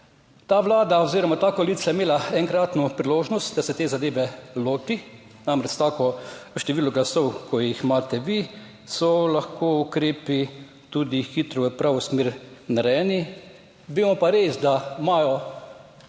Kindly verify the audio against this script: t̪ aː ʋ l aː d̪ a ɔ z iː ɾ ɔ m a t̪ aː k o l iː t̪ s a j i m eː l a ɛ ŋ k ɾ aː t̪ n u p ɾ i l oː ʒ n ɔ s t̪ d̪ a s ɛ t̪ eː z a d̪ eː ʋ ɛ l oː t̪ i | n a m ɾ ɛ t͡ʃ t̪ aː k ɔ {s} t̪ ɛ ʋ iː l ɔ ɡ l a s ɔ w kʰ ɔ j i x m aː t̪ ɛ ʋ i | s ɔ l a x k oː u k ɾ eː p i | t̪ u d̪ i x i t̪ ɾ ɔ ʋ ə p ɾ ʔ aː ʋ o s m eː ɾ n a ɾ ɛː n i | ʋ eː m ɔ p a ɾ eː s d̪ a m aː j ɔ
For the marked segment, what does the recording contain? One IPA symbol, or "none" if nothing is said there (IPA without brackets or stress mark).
ʃ